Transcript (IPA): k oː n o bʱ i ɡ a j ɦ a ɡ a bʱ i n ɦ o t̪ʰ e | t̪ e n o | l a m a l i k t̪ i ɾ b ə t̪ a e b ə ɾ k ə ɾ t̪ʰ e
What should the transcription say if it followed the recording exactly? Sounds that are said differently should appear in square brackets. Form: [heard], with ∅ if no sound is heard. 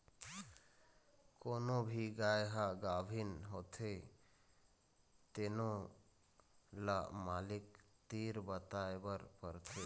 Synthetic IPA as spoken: k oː n o bʱ i ɡ a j ɦ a ɡ a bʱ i n ɦ o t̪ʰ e | t̪ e n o | l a m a l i k t̪ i ɾ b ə t̪ a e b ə ɾ [p] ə ɾ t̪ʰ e